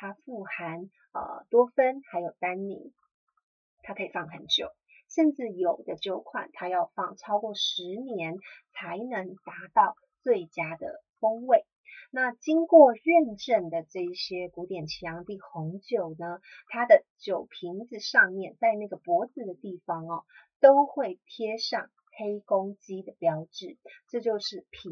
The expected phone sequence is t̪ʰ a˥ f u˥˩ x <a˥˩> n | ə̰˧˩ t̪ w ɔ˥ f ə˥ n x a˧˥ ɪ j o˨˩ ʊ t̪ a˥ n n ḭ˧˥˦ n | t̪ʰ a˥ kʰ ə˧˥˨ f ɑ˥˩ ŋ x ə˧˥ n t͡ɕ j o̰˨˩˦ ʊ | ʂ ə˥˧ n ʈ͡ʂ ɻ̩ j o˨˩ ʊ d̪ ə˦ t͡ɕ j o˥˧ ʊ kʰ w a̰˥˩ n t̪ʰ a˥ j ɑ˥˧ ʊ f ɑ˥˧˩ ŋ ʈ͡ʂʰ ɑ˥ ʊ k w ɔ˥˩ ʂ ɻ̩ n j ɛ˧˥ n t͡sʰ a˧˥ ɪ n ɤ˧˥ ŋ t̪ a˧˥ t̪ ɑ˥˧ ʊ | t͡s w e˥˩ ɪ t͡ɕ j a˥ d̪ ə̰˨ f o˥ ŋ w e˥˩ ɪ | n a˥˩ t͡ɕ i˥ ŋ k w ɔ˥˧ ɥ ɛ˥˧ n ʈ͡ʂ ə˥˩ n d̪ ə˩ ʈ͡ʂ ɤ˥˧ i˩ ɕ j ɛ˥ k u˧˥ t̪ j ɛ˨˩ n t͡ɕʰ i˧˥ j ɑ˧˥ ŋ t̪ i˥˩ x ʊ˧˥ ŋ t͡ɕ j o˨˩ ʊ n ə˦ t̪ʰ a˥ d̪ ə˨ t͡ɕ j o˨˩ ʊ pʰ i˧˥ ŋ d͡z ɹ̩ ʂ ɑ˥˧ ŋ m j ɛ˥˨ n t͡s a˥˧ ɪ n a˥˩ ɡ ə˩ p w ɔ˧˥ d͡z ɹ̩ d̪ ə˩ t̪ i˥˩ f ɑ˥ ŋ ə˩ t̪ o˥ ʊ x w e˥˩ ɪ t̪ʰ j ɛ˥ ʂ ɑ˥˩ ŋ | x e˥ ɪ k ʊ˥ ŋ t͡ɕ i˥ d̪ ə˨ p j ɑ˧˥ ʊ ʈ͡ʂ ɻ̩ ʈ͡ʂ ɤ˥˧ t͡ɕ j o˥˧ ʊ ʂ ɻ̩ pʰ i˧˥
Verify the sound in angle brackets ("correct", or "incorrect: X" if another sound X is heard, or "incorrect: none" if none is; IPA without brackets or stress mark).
incorrect: a˧˥